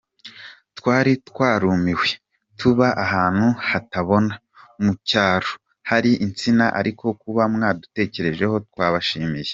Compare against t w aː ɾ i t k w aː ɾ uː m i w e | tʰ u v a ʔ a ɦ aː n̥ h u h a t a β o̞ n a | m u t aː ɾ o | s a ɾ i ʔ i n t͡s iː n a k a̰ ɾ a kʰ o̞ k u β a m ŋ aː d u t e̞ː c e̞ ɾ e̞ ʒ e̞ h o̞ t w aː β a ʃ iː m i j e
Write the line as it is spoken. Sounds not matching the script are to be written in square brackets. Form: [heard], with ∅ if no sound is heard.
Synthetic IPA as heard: t w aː ɾ i t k w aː ɾ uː m i w e | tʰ u [β] a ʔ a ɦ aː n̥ h u h a t a β o̞ n a | m u [c] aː ɾ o | [h] a ɾ i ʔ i n t͡s [i] n a [ʔ] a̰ ɾ [i] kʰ o̞ k u β a m ŋ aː d u t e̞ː c e̞ ɾ e̞ ʒ e̞ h o̞ t w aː β a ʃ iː m i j e